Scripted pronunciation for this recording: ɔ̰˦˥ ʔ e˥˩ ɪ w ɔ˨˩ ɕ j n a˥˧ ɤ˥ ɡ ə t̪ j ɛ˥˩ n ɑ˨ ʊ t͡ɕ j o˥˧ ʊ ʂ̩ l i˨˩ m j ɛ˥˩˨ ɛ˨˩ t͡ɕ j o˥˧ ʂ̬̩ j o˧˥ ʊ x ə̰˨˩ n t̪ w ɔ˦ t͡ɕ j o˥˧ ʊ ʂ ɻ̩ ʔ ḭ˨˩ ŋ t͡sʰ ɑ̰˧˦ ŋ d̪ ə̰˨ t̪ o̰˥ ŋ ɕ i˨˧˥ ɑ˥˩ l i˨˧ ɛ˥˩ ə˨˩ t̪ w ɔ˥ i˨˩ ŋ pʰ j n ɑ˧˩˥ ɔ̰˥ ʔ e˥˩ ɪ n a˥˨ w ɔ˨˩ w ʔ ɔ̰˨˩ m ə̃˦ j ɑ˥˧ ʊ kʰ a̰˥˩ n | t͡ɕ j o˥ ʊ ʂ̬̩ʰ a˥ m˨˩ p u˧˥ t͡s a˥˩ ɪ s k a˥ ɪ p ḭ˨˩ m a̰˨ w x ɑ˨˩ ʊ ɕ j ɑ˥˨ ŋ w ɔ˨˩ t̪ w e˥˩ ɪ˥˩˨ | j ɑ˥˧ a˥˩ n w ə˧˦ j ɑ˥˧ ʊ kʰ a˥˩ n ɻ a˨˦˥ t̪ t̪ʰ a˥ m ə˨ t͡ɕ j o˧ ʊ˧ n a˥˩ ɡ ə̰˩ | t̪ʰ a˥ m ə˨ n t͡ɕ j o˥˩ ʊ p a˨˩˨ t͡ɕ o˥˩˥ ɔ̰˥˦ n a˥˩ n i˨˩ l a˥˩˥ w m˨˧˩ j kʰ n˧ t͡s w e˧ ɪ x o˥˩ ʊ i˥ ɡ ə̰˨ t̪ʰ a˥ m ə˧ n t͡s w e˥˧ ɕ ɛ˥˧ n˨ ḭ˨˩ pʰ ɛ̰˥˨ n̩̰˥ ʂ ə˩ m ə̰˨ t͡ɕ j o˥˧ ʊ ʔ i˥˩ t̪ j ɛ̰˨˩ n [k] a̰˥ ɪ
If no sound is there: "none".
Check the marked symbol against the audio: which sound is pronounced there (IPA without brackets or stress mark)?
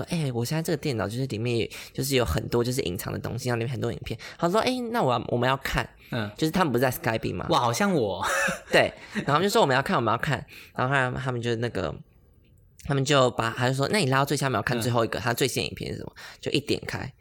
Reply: kʰ